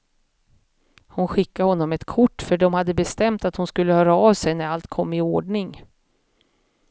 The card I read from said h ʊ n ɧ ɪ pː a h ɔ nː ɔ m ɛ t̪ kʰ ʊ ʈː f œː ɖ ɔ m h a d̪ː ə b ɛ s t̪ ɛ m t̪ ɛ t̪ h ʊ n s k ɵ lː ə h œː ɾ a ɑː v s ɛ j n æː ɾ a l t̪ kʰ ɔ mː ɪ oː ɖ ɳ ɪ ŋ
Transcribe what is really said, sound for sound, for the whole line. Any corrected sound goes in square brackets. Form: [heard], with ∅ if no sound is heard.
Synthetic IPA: h ʊ n ɧ ɪ [kː] a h ɔ nː ɔ m ɛ t̪ kʰ ʊ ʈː f [œ] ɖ ɔ m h a d̪ː ə b ɛ s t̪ ɛ m t̪ [a] t̪ h ʊ n s k ɵ lː ə h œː ɾ a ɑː v s ɛ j n [æ] ɾ a l t̪ kʰ ɔ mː ɪ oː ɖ ɳ ɪ ŋ